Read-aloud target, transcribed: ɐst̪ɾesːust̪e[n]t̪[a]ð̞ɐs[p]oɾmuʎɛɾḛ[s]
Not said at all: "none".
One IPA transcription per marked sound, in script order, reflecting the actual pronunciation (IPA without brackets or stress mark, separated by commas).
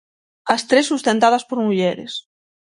n, a, p, s